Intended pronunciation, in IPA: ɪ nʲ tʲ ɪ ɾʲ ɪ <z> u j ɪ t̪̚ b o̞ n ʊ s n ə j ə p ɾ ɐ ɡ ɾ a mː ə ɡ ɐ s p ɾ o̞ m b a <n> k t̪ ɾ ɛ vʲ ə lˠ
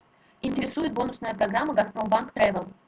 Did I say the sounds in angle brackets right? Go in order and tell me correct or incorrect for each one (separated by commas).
incorrect, correct